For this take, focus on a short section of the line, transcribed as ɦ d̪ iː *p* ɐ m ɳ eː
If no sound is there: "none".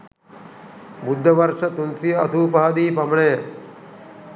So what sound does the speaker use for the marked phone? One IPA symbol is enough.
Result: p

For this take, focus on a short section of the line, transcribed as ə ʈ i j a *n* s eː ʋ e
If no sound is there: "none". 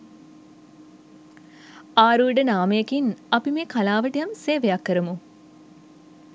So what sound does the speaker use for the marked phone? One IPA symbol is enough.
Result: m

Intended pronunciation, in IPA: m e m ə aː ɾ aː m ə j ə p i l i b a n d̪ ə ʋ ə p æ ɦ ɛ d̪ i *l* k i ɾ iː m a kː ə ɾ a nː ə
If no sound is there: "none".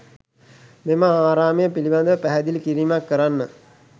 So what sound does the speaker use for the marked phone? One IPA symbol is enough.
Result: l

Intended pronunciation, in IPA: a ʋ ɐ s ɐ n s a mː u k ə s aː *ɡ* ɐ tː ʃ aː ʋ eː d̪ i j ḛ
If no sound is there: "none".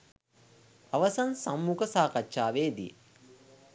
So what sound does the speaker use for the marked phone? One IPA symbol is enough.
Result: k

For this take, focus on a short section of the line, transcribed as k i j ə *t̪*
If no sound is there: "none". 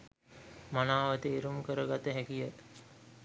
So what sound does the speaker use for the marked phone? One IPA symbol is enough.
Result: t̪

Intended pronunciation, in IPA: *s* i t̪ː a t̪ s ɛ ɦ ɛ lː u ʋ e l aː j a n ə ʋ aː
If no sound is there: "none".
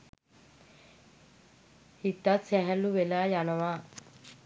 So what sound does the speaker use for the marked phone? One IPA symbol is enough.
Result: h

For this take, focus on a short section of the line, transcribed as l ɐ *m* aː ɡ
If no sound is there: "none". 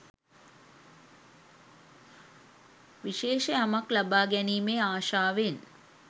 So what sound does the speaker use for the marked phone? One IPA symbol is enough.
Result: b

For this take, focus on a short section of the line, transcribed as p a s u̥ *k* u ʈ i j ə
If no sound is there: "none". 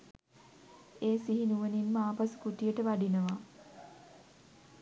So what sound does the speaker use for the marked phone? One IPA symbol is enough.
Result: k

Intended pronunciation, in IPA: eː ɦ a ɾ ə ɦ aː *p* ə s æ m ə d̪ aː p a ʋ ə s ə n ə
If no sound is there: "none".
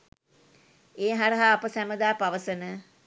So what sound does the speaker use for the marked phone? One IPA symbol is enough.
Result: p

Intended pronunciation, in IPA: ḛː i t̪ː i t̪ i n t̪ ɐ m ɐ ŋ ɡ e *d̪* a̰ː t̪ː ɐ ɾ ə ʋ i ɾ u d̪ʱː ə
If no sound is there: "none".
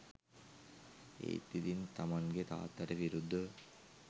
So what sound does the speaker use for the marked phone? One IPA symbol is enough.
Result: t̪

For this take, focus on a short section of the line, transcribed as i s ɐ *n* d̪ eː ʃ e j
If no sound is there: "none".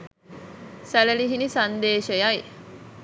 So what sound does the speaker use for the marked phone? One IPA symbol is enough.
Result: n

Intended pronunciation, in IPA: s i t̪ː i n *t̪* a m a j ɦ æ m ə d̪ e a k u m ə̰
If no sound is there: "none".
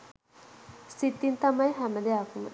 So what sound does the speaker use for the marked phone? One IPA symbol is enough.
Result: t̪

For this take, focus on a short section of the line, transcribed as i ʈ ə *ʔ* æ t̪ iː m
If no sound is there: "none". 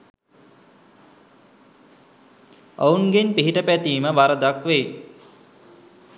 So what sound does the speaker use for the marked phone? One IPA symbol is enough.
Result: p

